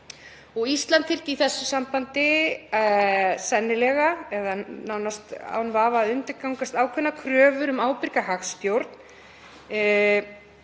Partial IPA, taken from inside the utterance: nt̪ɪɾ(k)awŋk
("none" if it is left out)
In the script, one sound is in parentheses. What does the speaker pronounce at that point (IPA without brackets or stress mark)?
k